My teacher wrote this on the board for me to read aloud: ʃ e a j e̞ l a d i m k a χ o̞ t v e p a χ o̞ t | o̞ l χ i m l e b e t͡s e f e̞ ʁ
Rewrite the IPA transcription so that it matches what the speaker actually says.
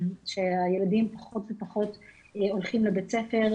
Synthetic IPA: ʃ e a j e̞ l a d i m p a χ o̞ t v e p a χ o̞ t | o̞ l χ i m l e b e t͡s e f e̞ ʁ